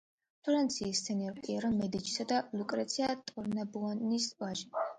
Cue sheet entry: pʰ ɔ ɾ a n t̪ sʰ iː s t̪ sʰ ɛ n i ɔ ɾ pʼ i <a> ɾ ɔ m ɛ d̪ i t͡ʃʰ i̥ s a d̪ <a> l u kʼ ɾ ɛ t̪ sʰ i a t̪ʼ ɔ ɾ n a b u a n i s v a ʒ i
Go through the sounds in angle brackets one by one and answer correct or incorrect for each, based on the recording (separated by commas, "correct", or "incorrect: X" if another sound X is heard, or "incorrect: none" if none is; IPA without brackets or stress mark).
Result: incorrect: ɛ, correct